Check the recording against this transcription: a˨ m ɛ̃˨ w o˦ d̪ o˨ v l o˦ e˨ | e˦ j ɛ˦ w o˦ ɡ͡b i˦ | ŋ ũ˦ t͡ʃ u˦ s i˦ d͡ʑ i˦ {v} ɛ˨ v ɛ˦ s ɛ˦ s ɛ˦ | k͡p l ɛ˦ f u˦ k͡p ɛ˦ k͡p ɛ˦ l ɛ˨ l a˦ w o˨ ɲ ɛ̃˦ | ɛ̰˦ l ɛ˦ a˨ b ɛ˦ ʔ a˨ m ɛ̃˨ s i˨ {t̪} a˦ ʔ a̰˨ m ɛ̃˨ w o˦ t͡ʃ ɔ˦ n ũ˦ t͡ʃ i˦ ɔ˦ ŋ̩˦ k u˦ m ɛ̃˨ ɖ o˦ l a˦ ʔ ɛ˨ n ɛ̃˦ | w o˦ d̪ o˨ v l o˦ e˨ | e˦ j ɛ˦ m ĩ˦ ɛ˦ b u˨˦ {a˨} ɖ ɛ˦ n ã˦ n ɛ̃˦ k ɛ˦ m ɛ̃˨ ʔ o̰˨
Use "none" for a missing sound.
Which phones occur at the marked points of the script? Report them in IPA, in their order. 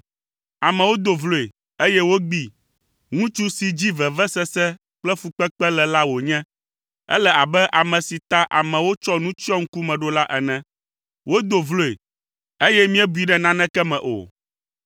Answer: v, t̪, i˨

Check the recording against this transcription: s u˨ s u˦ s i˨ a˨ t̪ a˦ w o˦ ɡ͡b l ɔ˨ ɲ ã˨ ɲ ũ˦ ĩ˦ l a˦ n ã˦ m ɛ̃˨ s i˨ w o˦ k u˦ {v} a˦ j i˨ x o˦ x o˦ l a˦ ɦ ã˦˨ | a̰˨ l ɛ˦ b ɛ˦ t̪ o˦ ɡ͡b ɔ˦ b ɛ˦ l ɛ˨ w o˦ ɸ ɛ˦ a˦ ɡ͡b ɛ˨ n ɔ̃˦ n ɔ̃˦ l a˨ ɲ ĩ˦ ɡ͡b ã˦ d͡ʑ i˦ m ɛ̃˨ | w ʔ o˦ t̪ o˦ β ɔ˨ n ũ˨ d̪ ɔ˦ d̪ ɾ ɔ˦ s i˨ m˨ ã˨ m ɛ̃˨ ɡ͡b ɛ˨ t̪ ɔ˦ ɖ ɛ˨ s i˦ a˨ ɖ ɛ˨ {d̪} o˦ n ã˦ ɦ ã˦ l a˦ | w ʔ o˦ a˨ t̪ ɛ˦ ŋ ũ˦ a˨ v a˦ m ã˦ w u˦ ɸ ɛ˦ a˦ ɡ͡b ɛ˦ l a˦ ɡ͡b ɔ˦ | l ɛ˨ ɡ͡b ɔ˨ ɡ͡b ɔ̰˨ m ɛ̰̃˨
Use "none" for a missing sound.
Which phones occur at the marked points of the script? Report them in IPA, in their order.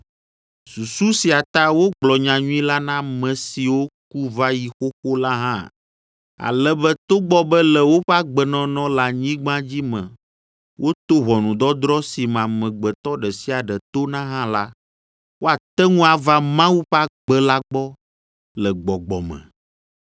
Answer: v, t̪

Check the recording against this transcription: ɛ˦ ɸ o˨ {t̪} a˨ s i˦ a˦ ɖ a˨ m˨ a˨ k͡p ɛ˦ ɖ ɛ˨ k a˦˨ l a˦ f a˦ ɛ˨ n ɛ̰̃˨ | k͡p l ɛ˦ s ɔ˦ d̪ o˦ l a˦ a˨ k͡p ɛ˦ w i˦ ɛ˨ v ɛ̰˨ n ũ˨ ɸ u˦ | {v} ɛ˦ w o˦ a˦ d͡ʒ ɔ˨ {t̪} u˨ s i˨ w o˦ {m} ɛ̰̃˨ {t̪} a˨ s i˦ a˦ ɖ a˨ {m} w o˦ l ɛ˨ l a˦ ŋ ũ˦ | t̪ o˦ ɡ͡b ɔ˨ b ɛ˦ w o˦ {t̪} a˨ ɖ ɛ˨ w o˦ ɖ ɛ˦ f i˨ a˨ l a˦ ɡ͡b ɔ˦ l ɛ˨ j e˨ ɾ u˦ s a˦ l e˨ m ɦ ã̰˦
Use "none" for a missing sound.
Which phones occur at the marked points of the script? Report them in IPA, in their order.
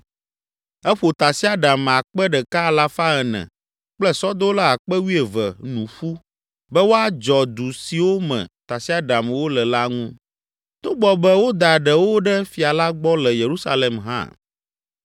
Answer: t̪, b, d̪, m, t̪, m, d̪

